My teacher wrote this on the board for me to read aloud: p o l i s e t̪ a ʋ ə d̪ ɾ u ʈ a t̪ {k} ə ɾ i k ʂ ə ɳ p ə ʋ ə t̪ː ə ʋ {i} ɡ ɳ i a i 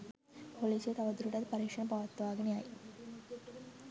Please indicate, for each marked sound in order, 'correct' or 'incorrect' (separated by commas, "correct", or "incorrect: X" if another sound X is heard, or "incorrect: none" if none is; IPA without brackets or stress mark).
incorrect: p, incorrect: a